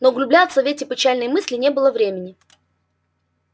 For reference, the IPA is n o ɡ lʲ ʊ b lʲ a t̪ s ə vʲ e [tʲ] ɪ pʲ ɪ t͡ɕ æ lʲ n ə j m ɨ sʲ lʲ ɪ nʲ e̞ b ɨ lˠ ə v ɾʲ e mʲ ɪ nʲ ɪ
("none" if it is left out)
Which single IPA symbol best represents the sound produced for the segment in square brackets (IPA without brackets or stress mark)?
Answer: tʲ